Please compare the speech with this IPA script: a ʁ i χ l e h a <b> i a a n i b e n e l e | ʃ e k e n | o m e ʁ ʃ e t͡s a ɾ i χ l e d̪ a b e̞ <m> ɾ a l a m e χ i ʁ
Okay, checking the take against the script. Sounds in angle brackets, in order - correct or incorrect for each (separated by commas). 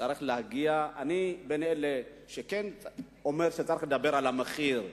incorrect, incorrect